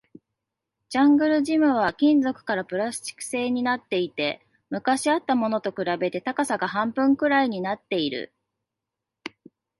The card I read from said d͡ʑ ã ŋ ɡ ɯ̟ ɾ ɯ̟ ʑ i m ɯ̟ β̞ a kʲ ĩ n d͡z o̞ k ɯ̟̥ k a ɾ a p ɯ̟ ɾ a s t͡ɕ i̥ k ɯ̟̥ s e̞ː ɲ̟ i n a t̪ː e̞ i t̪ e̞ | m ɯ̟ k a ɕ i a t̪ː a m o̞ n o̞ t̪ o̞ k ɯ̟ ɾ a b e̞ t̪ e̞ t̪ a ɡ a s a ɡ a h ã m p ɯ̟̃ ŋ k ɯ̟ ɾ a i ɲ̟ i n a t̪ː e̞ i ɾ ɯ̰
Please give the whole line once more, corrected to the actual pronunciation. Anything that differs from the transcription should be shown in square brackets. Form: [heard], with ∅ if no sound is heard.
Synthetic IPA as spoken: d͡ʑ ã ŋ ɡ ɯ̟ ɾ ɯ̟ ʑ i m ɯ̟ β̞ a kʲ ĩ n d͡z o̞ k ɯ̟̥ k a ɾ a p ɯ̟ ɾ a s t͡ɕ i̥ k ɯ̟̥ s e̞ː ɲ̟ i n a t̪ː e̞ i t̪ e̞ | m ɯ̟ k a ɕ i a t̪ː a m o̞ n o̞ t̪ o̞ k ɯ̟ ɾ a b e̞ t̪ e̞ t̪ a [k] a s a ɡ a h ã m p ɯ̟̃ ŋ k ɯ̟ ɾ a i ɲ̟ i n a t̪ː e̞ i ɾ ɯ̰